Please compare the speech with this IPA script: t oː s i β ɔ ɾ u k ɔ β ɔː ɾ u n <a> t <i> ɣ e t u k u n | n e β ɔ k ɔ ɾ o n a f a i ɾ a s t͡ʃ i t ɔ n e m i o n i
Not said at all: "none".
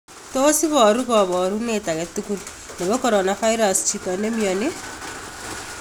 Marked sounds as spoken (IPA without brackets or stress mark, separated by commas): e, a